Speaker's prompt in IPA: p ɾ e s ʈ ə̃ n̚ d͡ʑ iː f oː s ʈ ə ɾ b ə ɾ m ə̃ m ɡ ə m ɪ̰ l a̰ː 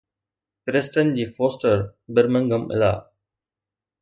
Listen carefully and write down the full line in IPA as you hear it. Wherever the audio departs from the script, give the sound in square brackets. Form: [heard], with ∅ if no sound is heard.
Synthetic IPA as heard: p ɾ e s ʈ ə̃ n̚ d͡ʑ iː f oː s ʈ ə ɾ b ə ɾ m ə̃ [ŋ] ɡ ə m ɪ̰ l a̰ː